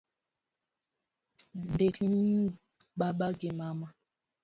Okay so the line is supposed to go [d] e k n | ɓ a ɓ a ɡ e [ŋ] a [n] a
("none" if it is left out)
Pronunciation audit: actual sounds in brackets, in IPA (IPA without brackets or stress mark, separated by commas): d, m, m